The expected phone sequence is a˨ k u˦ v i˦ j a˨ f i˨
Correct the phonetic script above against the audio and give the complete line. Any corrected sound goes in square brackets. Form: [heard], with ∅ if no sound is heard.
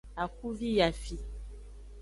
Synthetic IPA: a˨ k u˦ v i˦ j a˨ f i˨